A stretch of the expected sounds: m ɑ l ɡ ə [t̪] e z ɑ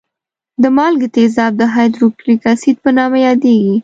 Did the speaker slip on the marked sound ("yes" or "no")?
no